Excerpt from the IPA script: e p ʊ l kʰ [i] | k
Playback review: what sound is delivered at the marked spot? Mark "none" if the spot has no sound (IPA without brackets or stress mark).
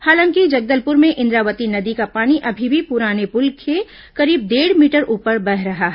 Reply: e